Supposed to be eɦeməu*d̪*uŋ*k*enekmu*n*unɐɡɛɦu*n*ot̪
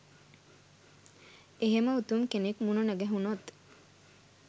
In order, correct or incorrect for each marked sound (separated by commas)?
incorrect, correct, correct, correct